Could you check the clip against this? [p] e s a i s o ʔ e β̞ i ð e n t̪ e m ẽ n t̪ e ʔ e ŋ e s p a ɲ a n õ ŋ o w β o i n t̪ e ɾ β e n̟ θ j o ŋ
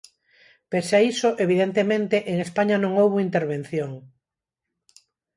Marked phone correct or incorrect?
correct